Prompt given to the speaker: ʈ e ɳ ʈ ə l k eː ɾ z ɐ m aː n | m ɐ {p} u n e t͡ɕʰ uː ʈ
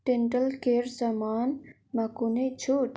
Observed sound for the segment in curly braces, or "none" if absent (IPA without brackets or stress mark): k